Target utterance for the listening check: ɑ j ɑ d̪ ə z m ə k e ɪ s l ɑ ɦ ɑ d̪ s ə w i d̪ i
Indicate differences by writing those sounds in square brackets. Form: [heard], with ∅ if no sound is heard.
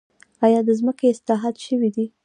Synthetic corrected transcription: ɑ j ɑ d̪ ə z m ə k e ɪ s l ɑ ɦ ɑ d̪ [ʃ] ə w i d̪ i